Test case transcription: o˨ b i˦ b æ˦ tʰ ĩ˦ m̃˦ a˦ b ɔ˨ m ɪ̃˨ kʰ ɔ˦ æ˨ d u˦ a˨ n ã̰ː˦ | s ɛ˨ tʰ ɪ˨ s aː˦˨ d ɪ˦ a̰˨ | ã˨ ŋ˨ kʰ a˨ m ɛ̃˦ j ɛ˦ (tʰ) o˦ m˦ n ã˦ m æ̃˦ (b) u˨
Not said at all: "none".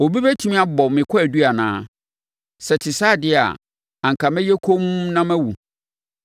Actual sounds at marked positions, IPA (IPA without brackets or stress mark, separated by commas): kʰ, w